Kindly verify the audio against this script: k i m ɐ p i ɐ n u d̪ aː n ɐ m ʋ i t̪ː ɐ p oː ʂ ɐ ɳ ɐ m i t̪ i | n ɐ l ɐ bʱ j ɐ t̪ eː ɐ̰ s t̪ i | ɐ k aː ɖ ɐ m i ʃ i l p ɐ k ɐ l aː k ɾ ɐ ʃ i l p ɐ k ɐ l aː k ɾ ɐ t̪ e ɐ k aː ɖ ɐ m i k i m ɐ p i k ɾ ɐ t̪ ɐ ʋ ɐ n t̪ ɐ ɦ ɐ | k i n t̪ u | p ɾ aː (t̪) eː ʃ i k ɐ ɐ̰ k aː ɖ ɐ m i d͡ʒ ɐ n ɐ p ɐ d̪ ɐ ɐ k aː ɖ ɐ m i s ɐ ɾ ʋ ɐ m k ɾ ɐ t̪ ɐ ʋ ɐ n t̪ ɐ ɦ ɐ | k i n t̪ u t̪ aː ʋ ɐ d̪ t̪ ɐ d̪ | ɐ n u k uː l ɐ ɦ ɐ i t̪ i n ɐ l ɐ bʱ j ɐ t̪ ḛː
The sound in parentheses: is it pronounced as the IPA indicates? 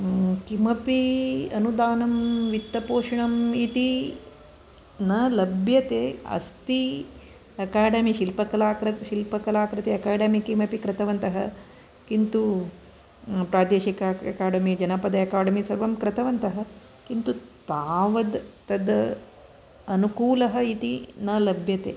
no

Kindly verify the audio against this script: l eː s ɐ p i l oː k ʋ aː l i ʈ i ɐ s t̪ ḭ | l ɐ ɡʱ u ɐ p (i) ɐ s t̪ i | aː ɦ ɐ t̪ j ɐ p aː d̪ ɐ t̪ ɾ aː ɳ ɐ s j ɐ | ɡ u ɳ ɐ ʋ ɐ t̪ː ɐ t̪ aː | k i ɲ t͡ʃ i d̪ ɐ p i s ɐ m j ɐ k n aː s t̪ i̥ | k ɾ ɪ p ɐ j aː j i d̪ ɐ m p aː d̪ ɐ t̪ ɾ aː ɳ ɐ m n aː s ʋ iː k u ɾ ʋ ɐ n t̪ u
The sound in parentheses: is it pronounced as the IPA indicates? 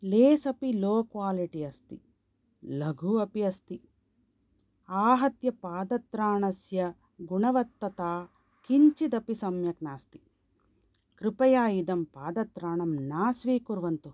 yes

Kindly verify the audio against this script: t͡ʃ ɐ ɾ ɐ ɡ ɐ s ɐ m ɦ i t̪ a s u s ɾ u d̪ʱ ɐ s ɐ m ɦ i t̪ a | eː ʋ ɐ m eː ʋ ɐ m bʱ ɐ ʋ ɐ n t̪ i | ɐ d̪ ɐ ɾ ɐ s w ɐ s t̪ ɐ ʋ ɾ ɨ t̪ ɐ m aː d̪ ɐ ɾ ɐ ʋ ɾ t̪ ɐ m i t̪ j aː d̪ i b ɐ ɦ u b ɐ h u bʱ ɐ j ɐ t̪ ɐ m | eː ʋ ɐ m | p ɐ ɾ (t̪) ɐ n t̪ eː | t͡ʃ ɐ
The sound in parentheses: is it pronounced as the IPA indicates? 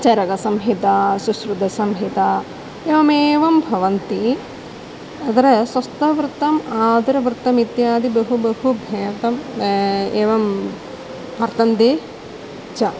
yes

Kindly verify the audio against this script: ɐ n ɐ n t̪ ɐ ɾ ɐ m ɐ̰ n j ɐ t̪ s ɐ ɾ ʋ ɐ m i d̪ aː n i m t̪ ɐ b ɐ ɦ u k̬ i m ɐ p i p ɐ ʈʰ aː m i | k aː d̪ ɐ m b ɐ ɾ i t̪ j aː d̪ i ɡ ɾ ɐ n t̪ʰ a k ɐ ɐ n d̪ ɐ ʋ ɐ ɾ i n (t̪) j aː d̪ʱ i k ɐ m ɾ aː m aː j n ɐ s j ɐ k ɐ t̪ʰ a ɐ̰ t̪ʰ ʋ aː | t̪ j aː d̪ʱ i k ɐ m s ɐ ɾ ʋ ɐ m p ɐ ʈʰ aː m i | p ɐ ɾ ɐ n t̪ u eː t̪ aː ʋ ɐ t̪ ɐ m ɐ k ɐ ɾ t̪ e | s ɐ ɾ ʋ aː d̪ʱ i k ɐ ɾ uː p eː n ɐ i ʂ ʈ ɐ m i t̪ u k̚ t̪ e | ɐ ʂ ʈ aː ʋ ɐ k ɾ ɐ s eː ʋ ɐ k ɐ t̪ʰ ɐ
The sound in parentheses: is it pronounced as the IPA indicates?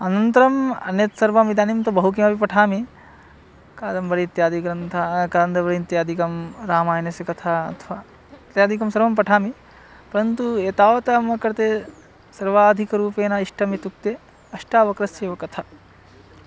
yes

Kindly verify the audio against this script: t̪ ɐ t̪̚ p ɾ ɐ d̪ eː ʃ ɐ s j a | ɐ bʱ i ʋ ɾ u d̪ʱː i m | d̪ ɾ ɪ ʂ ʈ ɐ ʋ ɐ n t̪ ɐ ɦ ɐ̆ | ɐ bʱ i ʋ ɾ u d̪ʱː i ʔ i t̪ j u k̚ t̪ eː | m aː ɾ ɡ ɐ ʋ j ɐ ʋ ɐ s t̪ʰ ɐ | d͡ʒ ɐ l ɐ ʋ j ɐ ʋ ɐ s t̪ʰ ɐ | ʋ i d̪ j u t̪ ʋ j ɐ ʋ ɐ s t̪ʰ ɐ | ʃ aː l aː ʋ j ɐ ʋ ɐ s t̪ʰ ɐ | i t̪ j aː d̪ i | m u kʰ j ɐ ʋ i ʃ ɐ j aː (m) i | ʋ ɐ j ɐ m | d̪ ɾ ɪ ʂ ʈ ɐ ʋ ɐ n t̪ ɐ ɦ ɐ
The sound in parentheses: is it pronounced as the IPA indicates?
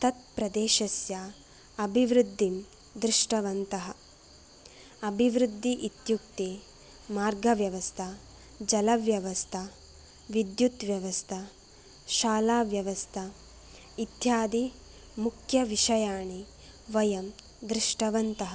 no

